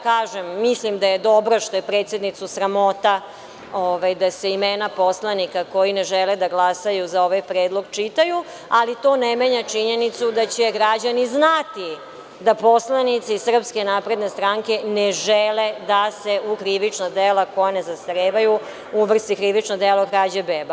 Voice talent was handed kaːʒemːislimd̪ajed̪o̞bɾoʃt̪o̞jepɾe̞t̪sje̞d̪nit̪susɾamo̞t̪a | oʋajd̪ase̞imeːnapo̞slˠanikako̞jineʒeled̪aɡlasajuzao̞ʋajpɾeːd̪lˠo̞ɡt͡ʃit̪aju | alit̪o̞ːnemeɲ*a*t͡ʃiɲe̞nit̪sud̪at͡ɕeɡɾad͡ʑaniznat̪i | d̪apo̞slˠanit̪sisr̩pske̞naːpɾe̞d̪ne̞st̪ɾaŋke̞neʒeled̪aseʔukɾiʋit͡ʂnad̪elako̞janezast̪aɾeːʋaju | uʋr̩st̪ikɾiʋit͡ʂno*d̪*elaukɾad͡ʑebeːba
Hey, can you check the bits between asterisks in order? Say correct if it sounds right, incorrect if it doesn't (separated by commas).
correct, correct